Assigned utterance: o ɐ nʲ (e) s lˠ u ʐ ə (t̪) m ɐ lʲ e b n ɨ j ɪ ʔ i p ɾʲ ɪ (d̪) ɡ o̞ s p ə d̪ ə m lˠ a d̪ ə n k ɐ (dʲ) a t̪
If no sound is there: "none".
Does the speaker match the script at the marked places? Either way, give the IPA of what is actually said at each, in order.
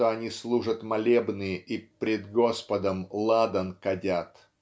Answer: i, t̪, d̪, dʲ

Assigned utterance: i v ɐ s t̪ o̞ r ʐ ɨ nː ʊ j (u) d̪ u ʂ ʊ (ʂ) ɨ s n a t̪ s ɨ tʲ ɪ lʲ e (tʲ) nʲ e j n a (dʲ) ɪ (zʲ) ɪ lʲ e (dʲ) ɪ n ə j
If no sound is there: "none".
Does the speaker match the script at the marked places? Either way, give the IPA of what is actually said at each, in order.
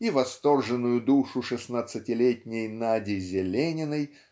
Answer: ʊ, ʂ, tʲ, dʲ, zʲ, nʲ

